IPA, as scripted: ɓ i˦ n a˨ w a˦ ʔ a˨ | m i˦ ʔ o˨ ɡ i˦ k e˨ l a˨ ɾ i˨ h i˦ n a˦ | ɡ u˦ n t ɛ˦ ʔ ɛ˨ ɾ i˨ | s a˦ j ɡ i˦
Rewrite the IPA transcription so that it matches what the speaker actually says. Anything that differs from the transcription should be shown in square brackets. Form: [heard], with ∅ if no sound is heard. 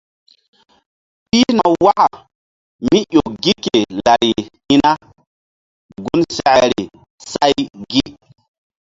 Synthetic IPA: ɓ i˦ n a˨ w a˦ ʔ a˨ | m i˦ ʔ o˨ ɡ i˦ k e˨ l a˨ ɾ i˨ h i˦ n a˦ | ɡ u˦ n [s] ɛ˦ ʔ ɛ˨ ɾ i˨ | s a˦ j ɡ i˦